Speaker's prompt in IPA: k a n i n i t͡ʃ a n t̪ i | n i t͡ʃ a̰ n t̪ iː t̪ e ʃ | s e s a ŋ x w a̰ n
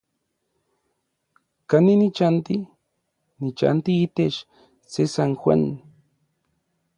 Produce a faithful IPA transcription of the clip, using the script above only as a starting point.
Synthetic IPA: k a n i n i t͡ʃ a n t̪ i | n i t͡ʃ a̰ n t̪ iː t̪ e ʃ | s e s a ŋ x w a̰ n